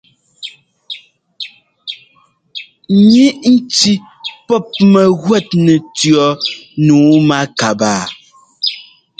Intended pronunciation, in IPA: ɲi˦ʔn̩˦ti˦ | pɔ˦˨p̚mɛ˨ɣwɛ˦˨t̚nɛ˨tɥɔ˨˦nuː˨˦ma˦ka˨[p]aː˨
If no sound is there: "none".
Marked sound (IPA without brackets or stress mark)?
b